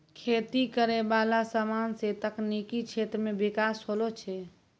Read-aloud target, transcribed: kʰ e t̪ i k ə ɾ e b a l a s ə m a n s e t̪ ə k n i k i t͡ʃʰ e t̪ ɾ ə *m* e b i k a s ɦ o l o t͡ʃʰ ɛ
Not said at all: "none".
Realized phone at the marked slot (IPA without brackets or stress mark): m